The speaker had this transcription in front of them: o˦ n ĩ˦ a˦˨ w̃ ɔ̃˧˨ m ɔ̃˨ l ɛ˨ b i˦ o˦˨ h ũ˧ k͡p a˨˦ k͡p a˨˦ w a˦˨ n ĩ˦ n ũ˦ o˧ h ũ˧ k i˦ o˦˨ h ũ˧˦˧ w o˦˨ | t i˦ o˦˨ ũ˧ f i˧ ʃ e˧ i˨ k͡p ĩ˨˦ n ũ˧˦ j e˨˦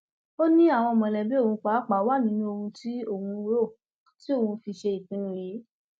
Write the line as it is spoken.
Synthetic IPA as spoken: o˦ n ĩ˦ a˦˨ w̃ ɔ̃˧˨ m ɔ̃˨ l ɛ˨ b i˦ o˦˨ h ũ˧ k͡p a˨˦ k͡p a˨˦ w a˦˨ n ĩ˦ n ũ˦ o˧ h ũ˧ t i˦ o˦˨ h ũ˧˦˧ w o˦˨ | t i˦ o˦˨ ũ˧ f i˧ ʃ e˧ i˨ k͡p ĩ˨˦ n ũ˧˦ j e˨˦